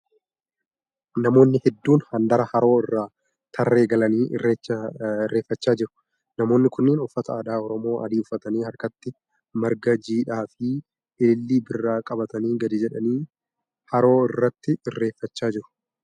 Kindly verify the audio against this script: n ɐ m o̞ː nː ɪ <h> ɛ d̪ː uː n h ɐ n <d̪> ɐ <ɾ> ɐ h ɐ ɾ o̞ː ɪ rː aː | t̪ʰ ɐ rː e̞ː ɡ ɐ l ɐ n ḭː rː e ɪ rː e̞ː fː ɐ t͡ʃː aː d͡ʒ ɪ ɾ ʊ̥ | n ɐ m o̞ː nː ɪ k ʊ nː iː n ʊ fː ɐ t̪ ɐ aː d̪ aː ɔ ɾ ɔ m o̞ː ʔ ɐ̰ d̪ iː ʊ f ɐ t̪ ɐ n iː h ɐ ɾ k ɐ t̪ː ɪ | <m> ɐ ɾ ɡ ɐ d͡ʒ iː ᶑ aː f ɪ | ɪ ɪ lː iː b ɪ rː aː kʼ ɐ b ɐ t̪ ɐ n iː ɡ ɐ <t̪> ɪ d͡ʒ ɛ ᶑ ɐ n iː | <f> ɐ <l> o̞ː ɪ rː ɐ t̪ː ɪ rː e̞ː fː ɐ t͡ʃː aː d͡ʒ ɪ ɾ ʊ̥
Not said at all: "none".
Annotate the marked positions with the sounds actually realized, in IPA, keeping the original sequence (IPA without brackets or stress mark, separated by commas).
h, d̪, ɾ, m, d̪, h, ɾ